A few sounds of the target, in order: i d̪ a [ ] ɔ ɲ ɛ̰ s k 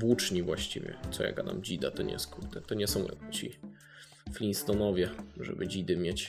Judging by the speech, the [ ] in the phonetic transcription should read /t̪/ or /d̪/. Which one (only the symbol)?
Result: t̪